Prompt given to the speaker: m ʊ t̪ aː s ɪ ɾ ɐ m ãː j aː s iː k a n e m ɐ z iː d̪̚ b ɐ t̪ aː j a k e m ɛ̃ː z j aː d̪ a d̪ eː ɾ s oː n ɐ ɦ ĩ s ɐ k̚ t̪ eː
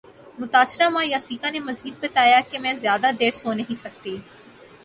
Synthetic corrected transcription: m ʊ t̪ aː s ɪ ɾ a m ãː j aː s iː k a n e m ɐ z iː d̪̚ b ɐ t̪ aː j a k e m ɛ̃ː z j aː d̪ a d̪ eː ɾ s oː n ɐ ɦ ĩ s ɐ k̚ t̪ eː